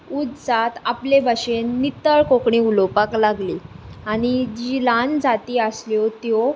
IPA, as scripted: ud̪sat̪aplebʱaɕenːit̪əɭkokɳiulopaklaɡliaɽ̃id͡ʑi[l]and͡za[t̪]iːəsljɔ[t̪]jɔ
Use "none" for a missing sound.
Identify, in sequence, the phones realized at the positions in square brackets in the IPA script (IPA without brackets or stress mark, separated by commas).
l, t̪, t̪